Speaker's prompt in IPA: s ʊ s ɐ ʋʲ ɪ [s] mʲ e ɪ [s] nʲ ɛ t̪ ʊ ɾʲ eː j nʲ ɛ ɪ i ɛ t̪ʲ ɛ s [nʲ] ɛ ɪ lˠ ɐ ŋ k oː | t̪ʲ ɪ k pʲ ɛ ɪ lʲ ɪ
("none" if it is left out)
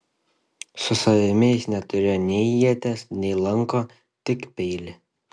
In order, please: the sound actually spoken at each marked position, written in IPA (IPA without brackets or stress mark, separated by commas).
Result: none, s, nʲ